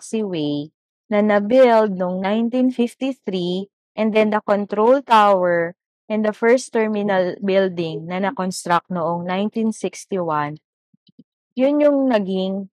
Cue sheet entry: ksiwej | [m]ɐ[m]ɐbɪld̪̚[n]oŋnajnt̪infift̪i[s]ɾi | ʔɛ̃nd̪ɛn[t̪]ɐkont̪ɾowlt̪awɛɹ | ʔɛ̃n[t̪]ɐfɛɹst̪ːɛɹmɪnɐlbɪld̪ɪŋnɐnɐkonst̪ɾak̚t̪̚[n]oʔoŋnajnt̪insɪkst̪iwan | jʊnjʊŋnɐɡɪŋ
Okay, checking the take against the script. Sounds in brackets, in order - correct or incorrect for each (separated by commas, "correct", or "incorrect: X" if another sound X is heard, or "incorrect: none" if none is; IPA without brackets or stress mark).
incorrect: n, incorrect: n, correct, incorrect: θ, incorrect: d̪, incorrect: d̪, correct